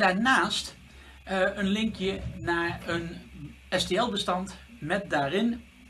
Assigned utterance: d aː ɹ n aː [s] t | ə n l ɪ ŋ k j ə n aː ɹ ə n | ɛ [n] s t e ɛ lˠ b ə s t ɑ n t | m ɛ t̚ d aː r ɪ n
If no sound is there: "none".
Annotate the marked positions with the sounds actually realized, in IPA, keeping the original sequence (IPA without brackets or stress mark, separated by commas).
s, none